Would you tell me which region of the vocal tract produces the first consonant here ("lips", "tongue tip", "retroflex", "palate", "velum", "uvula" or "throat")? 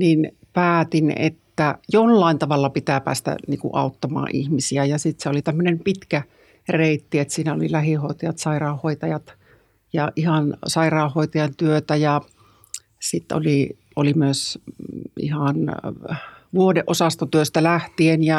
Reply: tongue tip